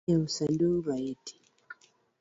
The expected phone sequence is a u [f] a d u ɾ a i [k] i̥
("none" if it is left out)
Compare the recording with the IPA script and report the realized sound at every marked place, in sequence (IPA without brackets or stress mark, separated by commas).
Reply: s, t